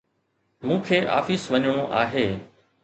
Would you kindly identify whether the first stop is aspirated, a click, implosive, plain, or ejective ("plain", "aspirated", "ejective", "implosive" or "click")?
aspirated